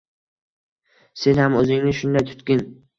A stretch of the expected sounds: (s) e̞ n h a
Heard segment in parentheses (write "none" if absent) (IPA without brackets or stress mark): s